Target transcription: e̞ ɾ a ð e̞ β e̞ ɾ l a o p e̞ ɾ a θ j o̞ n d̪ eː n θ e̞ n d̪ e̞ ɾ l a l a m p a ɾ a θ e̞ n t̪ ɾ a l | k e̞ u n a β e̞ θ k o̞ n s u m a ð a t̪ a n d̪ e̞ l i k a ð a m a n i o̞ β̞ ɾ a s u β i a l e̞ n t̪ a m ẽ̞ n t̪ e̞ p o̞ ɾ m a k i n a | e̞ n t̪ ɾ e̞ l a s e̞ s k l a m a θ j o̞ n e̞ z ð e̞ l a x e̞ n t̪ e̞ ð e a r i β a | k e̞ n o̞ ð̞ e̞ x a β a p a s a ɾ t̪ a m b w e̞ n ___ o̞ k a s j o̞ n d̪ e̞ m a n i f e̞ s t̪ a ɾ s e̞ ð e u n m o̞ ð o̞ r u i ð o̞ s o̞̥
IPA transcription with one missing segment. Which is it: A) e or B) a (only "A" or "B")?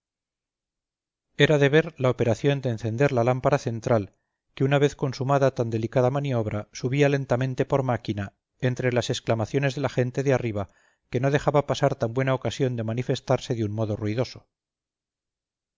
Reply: B